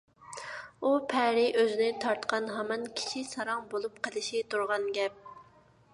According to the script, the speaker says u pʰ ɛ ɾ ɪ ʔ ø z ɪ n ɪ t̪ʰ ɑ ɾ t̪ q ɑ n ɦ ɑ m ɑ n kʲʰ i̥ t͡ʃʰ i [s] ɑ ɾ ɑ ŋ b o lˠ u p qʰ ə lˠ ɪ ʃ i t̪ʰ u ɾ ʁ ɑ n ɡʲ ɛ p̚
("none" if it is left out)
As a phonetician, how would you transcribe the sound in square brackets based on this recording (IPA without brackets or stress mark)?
s